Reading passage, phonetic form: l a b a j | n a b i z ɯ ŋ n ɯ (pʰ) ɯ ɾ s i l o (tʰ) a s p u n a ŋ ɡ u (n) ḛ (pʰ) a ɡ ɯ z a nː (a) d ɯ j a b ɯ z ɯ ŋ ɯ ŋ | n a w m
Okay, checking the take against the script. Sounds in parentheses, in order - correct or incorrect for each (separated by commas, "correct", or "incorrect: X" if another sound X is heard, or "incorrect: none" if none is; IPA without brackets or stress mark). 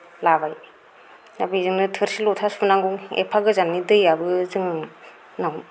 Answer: incorrect: tʰ, correct, incorrect: ŋ, correct, incorrect: i